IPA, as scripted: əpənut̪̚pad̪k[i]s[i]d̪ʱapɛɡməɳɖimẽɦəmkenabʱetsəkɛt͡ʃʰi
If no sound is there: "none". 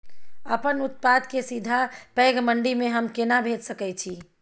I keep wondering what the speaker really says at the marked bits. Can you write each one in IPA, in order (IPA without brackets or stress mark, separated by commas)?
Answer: e, i